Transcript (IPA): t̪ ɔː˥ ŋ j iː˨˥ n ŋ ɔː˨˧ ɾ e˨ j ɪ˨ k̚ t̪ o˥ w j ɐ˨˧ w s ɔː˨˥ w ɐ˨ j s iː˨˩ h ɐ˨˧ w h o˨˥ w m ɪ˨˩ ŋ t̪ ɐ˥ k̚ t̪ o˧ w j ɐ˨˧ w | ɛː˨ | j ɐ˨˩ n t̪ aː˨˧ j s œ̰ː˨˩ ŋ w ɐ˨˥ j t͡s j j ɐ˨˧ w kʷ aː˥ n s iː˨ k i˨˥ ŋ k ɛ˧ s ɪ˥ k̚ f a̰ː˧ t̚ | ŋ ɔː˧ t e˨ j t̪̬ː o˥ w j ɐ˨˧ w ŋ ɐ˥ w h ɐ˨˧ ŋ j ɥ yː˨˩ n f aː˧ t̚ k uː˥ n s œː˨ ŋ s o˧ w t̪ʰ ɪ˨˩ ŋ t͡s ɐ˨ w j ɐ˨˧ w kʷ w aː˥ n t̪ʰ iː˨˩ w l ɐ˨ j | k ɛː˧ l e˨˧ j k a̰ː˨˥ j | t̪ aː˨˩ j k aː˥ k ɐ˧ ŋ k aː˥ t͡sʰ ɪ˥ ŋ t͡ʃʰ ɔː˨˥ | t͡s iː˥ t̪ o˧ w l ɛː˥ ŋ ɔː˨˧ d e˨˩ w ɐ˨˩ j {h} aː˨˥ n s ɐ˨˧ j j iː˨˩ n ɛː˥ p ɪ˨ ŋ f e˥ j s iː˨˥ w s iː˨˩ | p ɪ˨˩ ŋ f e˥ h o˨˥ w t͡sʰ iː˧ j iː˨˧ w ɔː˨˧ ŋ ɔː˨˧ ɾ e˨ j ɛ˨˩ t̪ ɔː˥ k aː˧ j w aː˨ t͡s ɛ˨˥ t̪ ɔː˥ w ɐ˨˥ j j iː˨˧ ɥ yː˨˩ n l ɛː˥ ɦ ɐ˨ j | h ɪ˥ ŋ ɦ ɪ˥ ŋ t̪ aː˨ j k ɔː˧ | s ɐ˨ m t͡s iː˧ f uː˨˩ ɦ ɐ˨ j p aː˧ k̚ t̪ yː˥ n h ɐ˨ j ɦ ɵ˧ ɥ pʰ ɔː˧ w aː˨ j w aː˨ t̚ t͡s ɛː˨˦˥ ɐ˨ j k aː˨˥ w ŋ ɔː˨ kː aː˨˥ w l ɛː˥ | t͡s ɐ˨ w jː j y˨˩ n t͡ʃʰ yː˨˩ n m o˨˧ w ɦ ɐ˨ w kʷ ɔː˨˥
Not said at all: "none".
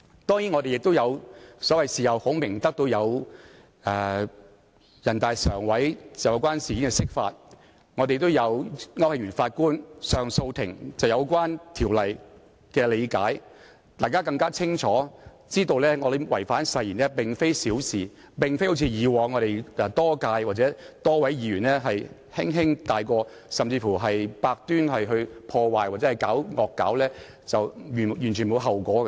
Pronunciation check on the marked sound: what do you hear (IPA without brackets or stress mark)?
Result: f